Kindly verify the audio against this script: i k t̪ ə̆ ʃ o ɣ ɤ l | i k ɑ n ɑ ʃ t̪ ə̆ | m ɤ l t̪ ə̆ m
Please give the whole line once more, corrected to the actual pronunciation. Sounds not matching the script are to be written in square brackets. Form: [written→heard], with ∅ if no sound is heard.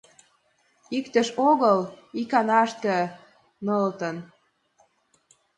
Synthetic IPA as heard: i k t̪ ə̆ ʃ o ɣ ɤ l | i k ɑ n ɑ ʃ t̪ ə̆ | [m→n] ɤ l t̪ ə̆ [m→n]